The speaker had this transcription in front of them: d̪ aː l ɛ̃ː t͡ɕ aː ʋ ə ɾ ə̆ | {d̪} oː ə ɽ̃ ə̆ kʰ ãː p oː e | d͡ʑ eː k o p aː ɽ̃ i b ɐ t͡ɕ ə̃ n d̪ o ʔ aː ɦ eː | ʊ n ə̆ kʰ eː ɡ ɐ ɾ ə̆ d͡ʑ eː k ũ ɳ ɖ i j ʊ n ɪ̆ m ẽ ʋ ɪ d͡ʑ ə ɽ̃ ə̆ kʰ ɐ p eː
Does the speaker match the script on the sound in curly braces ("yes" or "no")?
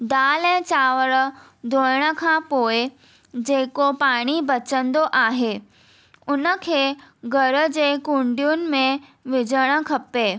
yes